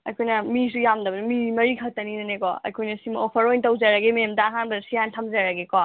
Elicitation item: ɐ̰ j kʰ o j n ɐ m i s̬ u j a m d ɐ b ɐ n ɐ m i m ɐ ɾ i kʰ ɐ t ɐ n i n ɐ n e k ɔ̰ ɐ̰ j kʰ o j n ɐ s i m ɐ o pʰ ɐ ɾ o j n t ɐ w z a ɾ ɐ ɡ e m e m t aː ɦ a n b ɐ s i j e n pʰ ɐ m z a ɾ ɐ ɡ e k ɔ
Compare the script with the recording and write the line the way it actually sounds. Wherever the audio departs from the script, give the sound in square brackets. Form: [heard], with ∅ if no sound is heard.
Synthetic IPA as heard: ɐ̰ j kʰ o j n ɐ m i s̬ u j a m d ɐ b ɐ n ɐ m i m ɐ ɾ i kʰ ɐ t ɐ n i n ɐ n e k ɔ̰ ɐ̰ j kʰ o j n ɐ s i m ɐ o pʰ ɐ ɾ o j n t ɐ w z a ɾ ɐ ɡ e m e m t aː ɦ a n b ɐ s i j [a] n [tʰ] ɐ m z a ɾ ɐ ɡ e k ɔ

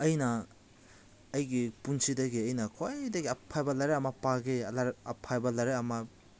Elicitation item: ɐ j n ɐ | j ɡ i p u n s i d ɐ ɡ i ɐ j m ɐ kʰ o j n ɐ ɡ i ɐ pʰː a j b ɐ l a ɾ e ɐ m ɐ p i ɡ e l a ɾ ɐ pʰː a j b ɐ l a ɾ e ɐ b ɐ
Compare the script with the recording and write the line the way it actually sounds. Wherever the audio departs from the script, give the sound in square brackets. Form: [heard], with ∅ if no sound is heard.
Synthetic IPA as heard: ɐ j n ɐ | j ɡ i p u n s i d ɐ ɡ i ɐ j [n] ɐ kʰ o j [d] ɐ ɡ i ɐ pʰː a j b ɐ l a ɾ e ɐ m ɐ p [a] ɡ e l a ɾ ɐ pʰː a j b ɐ l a ɾ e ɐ [m] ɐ

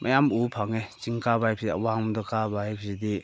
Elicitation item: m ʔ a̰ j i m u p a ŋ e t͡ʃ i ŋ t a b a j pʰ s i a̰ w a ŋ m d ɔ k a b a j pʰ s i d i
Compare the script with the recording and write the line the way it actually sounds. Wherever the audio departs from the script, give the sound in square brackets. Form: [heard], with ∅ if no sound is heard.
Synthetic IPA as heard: m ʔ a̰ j [a] m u [pʰ] a ŋ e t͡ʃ i ŋ [k] a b a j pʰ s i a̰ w a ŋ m d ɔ k a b a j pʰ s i d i

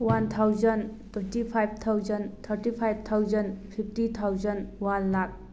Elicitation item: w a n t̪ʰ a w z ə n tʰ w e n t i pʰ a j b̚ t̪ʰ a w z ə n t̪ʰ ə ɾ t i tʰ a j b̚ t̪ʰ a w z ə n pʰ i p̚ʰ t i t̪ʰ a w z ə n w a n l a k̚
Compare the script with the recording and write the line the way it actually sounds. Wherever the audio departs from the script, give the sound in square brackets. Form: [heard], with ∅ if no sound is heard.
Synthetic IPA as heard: w a n t̪ʰ a w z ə n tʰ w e n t i pʰ a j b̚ t̪ʰ a w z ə n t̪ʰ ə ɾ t i [pʰ] a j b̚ t̪ʰ a w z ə n pʰ i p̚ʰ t i t̪ʰ a w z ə n w a n l a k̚

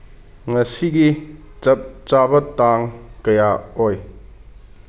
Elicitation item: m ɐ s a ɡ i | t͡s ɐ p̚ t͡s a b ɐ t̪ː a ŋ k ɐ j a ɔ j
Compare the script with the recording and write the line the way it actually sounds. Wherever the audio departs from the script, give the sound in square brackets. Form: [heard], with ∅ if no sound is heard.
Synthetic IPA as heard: [ŋ] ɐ s [i] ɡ i | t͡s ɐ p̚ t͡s a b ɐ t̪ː a ŋ k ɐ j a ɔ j

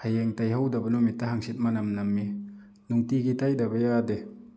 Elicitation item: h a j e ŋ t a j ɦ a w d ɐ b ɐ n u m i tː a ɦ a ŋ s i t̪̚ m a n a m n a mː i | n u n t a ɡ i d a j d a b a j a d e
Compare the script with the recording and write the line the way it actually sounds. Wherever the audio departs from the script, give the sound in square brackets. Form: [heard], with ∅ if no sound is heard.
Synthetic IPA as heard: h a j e ŋ t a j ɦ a w d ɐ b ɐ n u m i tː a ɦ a ŋ s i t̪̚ m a n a m n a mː i | n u [ŋ] t [i] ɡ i [t] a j d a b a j a d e

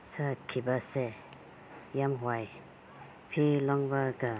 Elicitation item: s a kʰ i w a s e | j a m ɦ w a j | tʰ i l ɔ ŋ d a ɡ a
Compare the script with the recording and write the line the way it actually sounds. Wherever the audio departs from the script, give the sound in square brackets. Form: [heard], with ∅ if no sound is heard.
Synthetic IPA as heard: s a kʰ i [b] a s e | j a m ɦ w a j | [pʰ] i l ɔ ŋ [b] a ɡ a

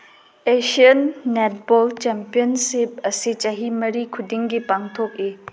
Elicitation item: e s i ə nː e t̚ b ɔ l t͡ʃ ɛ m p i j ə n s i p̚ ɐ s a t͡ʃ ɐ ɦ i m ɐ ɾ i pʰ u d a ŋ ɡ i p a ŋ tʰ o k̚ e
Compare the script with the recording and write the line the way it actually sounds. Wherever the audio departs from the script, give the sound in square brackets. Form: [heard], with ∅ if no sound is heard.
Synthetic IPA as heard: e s i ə nː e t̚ b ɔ l t͡ʃ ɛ m p i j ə n s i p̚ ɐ s [i] t͡ʃ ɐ ɦ i m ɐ ɾ i [kʰ] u d [i] ŋ ɡ i p a ŋ tʰ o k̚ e

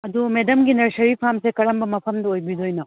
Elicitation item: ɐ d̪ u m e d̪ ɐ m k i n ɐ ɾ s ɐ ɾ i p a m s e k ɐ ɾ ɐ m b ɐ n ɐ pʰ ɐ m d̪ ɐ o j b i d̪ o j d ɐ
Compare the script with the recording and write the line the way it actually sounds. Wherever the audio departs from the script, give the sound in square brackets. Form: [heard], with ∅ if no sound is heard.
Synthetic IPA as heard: ɐ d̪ u m e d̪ ɐ m [ɡ] i n ɐ ɾ s ɐ ɾ i [pʰ] a m s e k ɐ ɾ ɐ m b ɐ [m] ɐ pʰ ɐ m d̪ ɐ o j b i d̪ o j [n] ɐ

